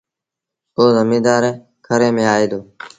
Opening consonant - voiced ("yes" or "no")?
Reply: yes